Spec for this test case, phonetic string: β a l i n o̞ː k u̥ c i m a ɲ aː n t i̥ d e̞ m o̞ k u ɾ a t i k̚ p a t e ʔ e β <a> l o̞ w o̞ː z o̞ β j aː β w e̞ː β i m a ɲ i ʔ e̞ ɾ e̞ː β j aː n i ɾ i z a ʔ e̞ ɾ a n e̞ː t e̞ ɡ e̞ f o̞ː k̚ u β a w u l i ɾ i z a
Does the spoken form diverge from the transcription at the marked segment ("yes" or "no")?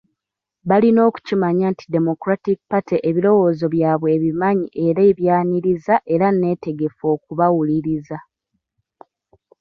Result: yes